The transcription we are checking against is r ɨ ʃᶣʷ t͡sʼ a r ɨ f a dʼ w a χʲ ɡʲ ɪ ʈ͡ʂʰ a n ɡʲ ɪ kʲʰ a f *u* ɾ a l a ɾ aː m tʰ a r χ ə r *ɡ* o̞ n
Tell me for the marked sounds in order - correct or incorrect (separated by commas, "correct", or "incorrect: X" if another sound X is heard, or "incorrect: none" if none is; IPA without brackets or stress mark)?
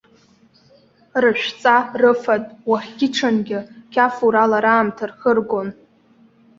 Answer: correct, correct